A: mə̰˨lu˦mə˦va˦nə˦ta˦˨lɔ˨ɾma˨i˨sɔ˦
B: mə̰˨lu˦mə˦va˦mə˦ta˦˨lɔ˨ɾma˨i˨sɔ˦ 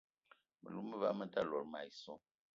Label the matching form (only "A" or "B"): B